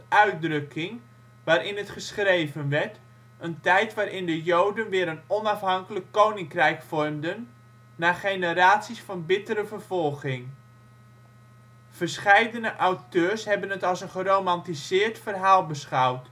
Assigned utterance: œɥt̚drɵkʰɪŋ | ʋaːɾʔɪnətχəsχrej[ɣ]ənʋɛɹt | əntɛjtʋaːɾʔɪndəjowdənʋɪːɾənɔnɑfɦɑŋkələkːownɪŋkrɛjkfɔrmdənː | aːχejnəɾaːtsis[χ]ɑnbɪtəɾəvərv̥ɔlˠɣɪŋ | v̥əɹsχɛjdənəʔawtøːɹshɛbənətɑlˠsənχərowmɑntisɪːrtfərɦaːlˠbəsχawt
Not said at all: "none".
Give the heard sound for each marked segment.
v, f

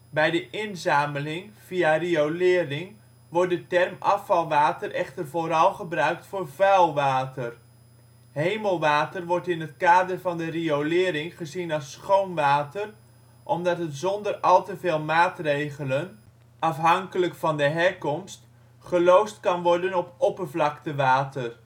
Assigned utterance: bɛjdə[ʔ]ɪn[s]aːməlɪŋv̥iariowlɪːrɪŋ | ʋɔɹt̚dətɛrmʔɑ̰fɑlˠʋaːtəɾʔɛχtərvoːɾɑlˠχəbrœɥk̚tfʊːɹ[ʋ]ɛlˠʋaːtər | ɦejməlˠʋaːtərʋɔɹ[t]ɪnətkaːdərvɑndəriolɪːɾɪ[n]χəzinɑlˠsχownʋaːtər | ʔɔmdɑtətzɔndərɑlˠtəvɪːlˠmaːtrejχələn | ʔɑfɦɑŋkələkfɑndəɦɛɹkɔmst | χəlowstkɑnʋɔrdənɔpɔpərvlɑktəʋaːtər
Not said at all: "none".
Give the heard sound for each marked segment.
ʔ, z, v, t, ŋ

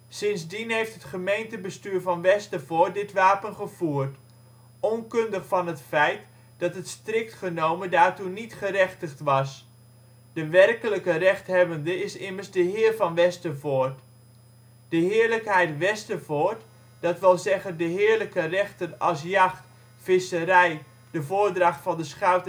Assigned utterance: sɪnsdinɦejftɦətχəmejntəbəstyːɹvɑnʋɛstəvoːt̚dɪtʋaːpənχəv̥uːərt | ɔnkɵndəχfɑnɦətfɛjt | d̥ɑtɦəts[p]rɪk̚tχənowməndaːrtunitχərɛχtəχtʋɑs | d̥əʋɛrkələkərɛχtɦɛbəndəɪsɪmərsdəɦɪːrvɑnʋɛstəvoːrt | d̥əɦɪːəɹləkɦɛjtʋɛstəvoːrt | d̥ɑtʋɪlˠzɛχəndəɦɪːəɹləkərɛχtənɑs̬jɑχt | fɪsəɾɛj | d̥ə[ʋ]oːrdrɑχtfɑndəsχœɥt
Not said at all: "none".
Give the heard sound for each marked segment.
t, v

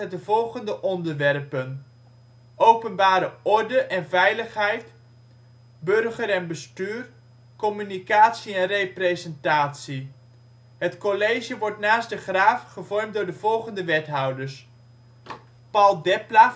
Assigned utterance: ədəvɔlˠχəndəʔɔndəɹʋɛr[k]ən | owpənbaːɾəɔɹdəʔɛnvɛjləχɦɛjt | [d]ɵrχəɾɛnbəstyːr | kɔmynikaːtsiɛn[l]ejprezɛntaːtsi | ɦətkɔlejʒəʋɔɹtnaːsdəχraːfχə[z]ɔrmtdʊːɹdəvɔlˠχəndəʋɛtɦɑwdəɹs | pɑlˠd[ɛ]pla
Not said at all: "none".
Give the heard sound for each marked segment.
p, b, r, v, ɛ

